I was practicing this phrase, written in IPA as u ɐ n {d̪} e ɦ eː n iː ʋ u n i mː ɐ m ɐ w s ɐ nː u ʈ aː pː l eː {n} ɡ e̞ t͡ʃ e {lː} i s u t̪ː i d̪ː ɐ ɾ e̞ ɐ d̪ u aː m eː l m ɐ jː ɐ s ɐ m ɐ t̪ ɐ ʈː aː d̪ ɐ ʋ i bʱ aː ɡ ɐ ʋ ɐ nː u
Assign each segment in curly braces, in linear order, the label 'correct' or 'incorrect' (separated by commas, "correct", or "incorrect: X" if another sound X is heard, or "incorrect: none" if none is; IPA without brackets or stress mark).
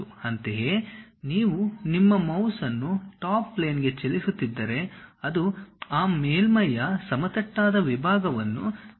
incorrect: t̪, correct, incorrect: l